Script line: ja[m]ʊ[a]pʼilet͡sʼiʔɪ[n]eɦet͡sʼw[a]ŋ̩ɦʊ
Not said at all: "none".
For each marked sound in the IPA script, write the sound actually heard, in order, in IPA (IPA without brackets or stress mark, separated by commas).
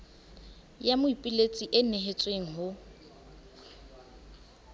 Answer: m, i, n, e